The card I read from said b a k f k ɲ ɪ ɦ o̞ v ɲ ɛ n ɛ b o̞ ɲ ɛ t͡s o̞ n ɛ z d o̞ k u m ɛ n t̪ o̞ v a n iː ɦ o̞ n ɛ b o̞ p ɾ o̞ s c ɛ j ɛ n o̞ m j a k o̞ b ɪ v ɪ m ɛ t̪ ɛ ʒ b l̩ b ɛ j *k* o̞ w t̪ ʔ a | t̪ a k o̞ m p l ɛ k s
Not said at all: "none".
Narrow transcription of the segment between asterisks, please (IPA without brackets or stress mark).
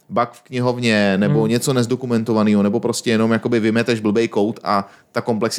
k